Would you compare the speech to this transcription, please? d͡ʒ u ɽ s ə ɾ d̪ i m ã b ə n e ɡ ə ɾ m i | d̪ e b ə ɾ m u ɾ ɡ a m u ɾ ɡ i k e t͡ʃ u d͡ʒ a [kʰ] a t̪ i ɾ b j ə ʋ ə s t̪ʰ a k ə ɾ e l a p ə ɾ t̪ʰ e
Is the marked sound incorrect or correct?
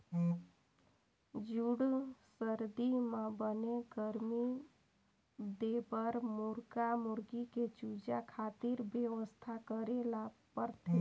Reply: correct